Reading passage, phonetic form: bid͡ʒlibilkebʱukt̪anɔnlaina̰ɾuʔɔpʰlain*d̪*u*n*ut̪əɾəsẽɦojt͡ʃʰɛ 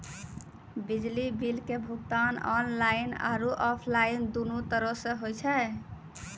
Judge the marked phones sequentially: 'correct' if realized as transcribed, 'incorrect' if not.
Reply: correct, correct

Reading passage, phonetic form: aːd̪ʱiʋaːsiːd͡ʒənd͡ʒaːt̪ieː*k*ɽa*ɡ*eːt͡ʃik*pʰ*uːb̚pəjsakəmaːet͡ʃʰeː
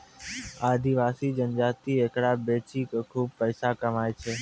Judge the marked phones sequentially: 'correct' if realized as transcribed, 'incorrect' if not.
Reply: correct, incorrect, incorrect

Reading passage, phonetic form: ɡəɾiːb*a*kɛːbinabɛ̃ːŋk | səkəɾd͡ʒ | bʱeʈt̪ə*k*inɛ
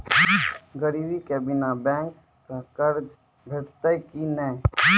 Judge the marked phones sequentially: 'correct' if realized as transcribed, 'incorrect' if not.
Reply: incorrect, correct

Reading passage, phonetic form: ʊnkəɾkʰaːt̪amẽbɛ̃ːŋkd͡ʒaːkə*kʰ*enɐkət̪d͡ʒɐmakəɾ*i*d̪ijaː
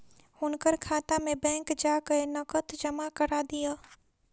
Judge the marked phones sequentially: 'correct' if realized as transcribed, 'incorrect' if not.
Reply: incorrect, incorrect

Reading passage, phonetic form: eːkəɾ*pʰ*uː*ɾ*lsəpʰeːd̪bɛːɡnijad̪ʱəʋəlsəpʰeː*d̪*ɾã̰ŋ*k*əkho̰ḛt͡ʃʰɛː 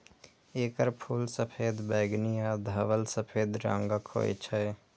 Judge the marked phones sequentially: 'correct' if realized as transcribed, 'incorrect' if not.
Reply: correct, incorrect, correct, incorrect

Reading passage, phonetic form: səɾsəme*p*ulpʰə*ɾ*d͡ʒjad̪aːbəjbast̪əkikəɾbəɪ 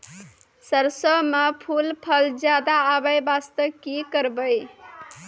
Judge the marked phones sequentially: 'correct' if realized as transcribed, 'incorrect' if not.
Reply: incorrect, incorrect

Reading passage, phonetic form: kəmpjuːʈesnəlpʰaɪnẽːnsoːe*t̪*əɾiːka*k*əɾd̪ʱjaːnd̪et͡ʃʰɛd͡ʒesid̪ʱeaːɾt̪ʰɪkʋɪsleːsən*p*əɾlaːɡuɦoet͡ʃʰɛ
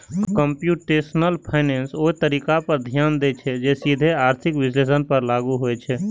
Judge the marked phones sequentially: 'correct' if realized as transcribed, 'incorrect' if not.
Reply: correct, incorrect, correct

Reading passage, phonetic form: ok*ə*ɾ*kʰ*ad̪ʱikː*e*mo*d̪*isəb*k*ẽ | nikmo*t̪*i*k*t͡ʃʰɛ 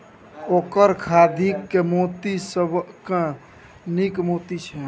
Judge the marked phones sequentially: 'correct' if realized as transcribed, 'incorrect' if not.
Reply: correct, correct, correct, incorrect, correct, correct, incorrect

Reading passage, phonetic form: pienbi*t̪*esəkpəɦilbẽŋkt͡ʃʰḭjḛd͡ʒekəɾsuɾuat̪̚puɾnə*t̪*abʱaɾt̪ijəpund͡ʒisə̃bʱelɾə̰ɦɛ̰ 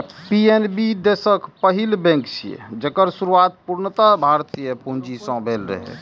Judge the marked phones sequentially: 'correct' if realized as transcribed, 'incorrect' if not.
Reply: incorrect, correct

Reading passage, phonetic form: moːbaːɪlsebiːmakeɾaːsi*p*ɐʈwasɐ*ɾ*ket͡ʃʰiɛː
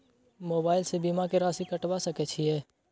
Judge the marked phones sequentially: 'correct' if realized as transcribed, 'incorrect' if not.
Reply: incorrect, incorrect

